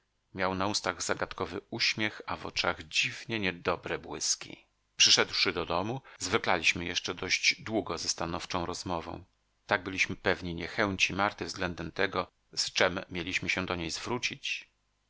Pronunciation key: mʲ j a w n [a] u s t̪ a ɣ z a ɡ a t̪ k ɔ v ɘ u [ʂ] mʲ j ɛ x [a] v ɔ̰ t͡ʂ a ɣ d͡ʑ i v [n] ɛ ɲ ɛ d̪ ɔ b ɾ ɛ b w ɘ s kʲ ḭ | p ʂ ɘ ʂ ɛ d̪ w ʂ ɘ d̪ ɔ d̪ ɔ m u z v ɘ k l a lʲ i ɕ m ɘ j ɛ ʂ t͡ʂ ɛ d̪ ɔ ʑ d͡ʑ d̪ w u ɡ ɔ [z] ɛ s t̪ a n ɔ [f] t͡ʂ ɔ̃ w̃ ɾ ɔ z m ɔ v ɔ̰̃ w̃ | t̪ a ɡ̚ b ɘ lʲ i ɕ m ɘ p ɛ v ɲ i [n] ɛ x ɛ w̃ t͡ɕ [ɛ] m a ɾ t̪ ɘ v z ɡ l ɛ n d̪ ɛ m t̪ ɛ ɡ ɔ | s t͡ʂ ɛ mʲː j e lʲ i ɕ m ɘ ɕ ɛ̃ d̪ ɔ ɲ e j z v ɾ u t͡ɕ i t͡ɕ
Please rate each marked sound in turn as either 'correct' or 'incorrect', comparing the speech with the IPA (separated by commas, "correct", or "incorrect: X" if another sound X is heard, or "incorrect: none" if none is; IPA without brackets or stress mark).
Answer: correct, incorrect: ɕ, correct, incorrect: ɲ, correct, correct, incorrect: ɲ, incorrect: i